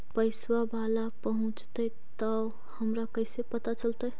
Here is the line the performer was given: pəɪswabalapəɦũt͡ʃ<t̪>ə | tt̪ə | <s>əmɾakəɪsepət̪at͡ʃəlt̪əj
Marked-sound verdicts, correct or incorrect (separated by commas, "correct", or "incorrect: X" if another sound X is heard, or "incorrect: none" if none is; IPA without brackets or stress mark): correct, incorrect: h